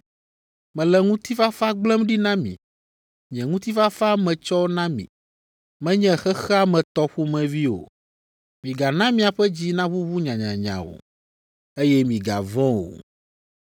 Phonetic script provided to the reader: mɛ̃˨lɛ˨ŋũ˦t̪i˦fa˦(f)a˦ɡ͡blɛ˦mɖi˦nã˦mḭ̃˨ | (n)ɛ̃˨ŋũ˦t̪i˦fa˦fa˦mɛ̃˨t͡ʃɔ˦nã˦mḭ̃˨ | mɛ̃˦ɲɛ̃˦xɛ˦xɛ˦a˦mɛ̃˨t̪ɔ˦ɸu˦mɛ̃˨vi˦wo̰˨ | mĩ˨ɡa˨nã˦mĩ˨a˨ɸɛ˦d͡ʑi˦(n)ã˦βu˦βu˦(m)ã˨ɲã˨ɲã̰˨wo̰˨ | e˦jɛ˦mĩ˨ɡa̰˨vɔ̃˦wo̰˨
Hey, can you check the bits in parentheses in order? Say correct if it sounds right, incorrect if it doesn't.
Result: correct, incorrect: ɲ, correct, incorrect: ɲ

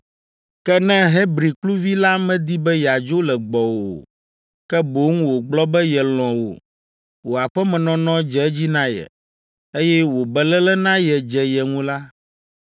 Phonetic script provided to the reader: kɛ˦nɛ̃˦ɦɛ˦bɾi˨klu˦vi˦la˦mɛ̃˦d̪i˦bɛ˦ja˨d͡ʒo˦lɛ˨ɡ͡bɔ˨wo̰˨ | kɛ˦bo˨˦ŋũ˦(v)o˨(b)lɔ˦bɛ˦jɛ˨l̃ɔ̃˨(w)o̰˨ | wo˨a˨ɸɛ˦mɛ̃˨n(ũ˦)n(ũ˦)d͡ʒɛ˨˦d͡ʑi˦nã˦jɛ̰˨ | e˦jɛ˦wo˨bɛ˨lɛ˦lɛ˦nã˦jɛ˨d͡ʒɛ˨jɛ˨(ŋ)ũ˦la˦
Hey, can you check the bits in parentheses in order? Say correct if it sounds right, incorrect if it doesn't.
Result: incorrect: w, incorrect: ɡ͡b, correct, incorrect: ɔ̃˦, incorrect: ɔ̃˦, correct

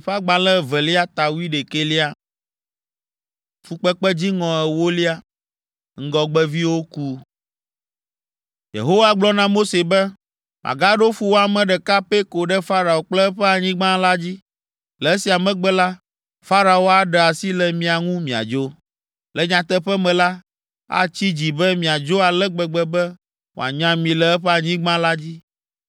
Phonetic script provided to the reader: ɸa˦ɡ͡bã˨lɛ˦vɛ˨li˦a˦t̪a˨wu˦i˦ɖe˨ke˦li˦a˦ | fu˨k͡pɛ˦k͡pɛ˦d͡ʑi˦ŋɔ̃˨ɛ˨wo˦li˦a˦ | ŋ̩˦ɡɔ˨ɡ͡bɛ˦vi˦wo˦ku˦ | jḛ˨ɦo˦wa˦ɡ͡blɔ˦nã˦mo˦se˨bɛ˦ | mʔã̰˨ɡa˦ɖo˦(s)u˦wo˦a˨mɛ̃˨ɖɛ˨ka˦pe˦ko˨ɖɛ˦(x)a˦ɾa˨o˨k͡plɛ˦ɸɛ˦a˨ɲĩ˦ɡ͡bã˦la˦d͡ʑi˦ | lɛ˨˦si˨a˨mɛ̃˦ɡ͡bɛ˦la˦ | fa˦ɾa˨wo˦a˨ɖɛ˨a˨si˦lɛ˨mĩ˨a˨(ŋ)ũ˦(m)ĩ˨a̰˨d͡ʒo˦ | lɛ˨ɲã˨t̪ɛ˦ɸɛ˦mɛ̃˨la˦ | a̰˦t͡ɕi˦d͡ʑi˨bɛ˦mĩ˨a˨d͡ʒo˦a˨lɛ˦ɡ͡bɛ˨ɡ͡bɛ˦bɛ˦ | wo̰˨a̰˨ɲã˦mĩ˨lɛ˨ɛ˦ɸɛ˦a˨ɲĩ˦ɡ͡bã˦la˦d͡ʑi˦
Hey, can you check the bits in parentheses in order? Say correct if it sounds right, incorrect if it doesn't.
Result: incorrect: f, incorrect: f, correct, correct

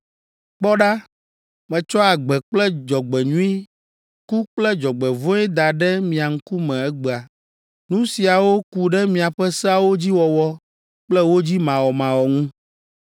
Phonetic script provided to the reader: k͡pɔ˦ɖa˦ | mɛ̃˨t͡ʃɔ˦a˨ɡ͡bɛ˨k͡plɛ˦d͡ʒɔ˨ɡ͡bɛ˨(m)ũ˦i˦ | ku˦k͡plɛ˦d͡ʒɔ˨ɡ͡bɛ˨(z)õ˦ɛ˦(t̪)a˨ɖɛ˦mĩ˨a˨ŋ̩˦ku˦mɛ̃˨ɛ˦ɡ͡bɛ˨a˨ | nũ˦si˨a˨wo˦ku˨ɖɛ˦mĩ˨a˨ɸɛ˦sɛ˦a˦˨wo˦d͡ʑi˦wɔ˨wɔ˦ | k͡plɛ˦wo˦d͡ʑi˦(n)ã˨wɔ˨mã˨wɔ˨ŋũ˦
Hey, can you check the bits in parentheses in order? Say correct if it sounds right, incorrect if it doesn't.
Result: incorrect: ɲ, incorrect: v, incorrect: d̪, incorrect: m

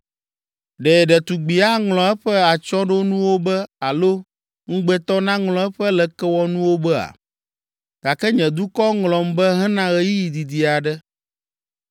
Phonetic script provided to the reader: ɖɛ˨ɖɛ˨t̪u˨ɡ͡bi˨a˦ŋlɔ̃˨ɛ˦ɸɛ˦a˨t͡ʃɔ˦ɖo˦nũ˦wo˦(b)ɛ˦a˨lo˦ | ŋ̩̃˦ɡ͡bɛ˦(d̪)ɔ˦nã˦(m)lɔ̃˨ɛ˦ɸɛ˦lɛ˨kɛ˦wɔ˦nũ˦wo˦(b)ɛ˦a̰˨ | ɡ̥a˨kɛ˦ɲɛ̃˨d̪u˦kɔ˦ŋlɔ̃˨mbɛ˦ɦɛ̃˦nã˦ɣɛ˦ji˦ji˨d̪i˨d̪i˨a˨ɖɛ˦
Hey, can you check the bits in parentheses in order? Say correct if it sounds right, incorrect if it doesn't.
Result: correct, incorrect: t̪, incorrect: ŋ, correct

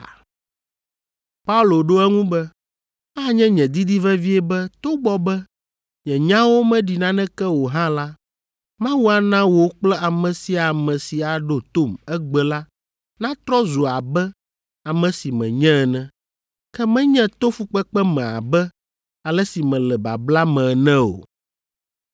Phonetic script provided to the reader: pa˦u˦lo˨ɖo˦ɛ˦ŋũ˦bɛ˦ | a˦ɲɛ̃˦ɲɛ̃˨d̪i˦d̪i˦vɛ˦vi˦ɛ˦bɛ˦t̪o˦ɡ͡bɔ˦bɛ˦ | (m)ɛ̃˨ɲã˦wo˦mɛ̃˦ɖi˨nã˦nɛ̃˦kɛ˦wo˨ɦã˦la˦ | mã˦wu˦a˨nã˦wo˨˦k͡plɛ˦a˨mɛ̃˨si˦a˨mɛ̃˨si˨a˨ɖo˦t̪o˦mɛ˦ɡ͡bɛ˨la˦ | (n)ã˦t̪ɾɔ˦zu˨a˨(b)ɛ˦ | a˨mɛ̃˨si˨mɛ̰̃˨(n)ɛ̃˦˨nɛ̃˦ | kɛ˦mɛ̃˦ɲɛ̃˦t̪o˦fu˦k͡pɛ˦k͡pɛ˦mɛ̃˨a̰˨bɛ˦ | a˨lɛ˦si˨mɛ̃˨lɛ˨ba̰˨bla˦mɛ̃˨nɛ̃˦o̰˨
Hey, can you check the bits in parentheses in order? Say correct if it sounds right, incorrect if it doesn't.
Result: incorrect: ɲ, correct, correct, incorrect: ɲ

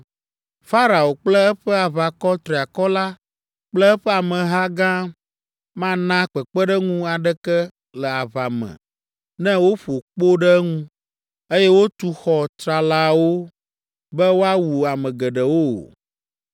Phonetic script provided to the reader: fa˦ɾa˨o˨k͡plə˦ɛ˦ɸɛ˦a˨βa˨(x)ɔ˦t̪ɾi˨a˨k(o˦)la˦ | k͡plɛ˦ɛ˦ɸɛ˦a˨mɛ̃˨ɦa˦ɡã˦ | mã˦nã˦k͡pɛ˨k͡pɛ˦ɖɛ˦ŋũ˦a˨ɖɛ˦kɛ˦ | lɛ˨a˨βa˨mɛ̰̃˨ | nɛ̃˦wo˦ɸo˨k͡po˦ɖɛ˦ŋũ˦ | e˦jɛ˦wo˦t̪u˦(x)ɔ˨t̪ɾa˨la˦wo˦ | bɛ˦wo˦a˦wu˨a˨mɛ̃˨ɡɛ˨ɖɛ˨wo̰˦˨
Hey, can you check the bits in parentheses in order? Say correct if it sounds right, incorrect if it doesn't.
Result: incorrect: k, incorrect: ɔ˦, correct

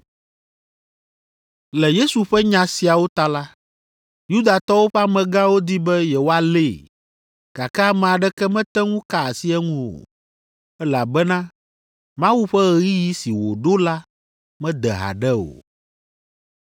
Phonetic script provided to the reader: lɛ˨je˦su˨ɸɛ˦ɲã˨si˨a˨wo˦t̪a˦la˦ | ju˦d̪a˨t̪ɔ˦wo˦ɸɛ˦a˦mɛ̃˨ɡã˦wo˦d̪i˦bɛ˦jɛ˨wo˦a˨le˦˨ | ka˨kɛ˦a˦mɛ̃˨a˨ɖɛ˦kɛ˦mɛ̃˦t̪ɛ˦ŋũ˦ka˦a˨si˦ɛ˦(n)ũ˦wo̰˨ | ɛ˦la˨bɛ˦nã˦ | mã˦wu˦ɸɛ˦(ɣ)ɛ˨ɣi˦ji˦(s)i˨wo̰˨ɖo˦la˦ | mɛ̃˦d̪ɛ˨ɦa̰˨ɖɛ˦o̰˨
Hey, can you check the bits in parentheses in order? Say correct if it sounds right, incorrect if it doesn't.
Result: incorrect: ŋ, correct, correct

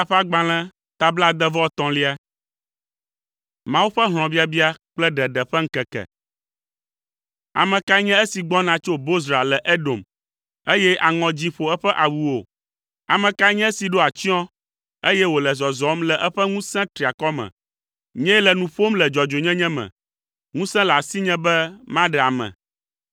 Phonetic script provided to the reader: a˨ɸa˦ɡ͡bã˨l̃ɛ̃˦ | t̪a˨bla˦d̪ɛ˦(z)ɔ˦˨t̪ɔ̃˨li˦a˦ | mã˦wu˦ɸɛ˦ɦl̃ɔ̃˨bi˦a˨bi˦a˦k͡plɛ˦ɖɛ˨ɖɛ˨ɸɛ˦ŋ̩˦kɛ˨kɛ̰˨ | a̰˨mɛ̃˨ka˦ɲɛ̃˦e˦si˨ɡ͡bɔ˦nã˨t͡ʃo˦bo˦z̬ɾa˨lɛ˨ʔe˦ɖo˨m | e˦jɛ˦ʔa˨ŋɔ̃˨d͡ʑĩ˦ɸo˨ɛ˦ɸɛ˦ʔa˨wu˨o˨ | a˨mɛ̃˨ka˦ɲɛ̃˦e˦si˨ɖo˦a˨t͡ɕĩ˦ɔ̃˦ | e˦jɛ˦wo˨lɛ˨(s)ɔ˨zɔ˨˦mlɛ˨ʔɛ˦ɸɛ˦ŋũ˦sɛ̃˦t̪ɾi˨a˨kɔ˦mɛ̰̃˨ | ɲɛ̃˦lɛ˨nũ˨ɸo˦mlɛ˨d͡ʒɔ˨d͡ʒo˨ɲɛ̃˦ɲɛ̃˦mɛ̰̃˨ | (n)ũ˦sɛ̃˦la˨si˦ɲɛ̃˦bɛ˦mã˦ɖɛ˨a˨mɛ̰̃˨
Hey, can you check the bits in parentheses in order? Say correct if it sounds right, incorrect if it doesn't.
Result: incorrect: v, incorrect: z, incorrect: ŋ

